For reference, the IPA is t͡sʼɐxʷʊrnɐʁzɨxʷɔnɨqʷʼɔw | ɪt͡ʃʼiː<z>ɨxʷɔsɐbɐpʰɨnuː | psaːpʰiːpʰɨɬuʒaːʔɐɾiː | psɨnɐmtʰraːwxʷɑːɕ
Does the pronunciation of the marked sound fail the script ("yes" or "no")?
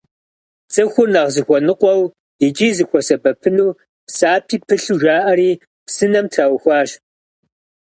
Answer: no